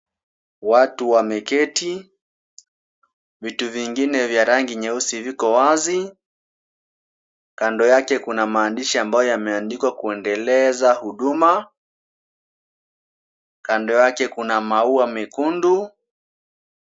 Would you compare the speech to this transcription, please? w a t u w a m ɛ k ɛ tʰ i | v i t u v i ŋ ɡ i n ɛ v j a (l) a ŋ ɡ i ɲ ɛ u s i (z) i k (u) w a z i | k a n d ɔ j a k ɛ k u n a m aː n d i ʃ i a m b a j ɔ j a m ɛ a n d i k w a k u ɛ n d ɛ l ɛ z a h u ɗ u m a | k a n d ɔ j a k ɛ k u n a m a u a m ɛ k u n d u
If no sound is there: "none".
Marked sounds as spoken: ɾ, v, ɔ

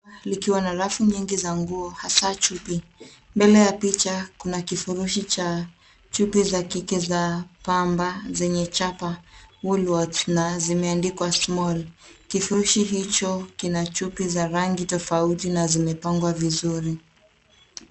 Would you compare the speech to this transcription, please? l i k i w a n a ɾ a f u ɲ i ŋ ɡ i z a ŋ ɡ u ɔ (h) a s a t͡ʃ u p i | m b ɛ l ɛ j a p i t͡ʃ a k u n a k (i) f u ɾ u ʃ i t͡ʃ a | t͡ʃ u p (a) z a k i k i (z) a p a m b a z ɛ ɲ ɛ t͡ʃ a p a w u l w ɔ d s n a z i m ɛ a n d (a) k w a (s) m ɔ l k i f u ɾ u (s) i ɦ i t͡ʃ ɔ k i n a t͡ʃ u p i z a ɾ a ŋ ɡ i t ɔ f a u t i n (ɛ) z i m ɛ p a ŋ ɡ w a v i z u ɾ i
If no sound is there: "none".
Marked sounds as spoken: h, i, i, z, i, s, ʃ, a

